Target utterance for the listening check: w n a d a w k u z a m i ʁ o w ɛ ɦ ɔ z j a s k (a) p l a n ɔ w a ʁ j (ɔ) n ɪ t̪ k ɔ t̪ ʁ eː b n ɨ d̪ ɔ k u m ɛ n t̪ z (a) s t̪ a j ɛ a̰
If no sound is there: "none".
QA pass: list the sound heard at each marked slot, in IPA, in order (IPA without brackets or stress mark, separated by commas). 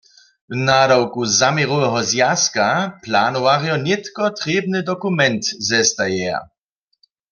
a, ɔ, ɛ